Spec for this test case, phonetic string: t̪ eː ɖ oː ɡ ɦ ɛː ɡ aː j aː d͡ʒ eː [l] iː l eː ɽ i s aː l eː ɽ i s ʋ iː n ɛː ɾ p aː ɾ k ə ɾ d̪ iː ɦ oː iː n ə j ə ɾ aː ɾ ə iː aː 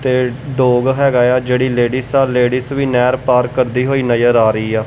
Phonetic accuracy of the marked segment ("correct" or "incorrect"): incorrect